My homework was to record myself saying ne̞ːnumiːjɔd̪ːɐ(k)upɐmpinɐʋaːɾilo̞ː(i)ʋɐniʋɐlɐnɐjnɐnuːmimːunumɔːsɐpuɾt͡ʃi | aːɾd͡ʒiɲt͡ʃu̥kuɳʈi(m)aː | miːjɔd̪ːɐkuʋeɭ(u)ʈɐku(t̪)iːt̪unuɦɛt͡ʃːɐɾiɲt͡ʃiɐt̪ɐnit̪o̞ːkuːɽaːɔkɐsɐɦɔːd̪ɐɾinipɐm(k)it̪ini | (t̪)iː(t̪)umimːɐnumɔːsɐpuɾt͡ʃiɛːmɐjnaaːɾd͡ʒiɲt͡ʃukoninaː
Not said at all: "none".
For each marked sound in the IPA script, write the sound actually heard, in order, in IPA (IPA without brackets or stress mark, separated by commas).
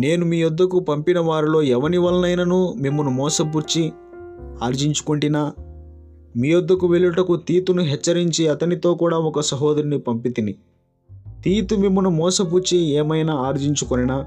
k, ɛ, n, u, t̪, p, t̪, t̪